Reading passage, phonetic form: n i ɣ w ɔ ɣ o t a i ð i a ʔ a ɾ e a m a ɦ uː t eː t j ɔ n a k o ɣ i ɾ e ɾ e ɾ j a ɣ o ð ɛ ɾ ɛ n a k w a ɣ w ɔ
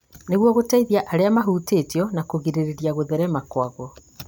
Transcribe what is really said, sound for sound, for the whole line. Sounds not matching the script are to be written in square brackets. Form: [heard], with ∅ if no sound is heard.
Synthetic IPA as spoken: n [e] ɣ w ɔ ɣ o t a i ð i a ʔ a ɾ e a m a ɦ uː t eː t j ɔ n a k o ɣ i ɾ e ɾ e ɾ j a ɣ o ð ɛ ɾ ɛ [m] a k w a ɣ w ɔ